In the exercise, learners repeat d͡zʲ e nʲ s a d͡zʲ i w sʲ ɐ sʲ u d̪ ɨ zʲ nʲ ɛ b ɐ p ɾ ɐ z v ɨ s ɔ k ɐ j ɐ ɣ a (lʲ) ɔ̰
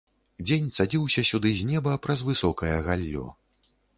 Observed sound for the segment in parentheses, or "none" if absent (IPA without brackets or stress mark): lʲː